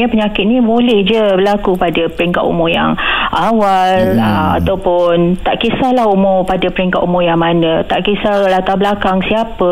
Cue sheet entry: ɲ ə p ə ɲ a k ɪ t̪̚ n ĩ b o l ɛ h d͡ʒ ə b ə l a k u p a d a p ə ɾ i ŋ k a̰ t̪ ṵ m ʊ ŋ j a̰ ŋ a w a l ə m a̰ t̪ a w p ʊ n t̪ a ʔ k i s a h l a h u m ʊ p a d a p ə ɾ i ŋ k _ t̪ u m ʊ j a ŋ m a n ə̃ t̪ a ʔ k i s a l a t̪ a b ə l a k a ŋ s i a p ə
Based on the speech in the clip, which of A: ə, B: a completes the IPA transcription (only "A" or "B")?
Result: B